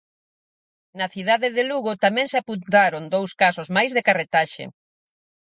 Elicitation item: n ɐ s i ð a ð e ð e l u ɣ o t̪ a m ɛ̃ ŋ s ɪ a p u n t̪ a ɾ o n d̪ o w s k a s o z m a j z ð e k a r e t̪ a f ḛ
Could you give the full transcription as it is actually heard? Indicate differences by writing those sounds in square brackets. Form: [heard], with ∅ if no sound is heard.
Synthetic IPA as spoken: n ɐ [θ] i ð a ð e ð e l u ɣ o t̪ a m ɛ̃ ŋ s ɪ a p u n t̪ a ɾ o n d̪ o w s k a s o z m a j z ð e k a r e t̪ a [ʃ] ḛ